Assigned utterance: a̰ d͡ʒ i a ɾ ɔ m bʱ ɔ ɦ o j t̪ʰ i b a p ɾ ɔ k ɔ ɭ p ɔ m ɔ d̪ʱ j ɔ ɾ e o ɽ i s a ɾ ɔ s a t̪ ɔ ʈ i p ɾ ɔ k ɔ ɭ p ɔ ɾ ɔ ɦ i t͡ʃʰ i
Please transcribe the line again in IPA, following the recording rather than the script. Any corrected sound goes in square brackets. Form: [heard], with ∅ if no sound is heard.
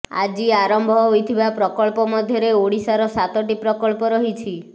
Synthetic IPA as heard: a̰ d͡ʒ i a ɾ ɔ m bʱ ɔ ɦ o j t̪ʰ i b a p ɾ ɔ k ɔ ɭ p ɔ m ɔ d̪ʱ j ɔ ɾ e o ɽ i s a ɾ ɔ s a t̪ ɔ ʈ i p ɾ ɔ k ɔ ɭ p ɔ ɾ ɔ ɦ i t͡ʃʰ i

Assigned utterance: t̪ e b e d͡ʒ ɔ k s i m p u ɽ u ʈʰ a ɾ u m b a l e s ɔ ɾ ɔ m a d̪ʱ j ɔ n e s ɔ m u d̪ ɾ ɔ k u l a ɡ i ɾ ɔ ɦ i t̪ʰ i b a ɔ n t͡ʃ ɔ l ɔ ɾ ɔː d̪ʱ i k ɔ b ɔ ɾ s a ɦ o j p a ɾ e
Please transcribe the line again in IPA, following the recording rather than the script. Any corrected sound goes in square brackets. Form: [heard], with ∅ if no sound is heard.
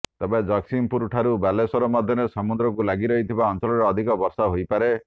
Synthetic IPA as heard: t̪ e b e d͡ʒ ɔ k s i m p u [ɾ] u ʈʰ a ɾ u [∅] b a l e s ɔ ɾ ɔ m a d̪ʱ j ɔ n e s ɔ m u d̪ ɾ ɔ k u l a ɡ i ɾ ɔ ɦ i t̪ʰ i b a ɔ n t͡ʃ ɔ l ɔ ɾ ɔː d̪ʱ i k ɔ b ɔ ɾ s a ɦ o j p a ɾ e

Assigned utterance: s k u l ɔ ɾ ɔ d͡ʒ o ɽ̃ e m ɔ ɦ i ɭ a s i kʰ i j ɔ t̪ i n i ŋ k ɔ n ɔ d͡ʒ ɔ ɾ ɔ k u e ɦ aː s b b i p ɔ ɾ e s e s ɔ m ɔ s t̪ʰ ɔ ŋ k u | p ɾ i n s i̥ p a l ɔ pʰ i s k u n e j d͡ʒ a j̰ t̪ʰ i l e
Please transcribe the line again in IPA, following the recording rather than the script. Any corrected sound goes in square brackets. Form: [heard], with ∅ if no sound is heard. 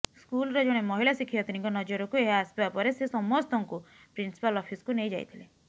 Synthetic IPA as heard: s k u l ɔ ɾ ɔ d͡ʒ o ɽ̃ e m ɔ ɦ i [l] a s i kʰ i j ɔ t̪ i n i ŋ k ɔ n ɔ d͡ʒ ɔ ɾ ɔ k u e ɦ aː s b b [a] p ɔ ɾ e s e s ɔ m ɔ s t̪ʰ ɔ ŋ k u | p ɾ i n s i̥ p a l ɔ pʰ i s k u n e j d͡ʒ a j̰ t̪ʰ i l e

